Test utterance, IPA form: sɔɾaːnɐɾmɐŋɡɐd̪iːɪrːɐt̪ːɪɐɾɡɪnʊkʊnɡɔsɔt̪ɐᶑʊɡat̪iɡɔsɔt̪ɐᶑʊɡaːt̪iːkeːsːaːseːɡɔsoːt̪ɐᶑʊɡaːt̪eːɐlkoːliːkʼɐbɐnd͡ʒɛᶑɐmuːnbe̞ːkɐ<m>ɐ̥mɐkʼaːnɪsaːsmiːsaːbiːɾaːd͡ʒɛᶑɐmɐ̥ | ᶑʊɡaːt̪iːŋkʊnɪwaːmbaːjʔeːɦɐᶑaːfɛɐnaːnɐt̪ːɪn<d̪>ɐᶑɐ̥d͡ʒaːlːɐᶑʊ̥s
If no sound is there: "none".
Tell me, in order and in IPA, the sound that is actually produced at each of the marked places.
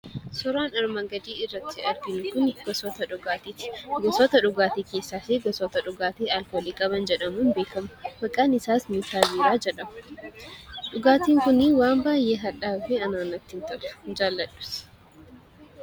m, t̪

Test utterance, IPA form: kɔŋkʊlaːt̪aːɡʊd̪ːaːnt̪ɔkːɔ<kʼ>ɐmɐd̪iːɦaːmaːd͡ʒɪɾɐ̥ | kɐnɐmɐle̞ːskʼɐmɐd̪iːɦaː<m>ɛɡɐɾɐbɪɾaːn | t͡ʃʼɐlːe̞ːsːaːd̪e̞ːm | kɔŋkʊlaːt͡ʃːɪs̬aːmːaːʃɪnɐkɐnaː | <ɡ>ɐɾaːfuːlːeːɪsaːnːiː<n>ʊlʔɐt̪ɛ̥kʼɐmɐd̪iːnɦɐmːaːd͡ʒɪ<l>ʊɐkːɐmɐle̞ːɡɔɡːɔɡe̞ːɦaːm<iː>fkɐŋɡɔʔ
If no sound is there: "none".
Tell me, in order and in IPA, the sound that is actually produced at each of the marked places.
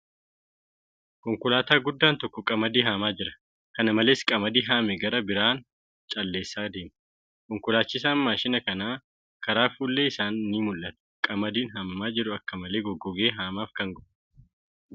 kʼ, m, k, m, ɾ, aː

